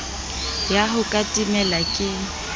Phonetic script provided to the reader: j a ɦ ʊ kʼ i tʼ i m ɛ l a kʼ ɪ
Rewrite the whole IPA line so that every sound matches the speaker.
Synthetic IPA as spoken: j a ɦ ʊ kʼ a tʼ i m ɛ l a kʼ ɪ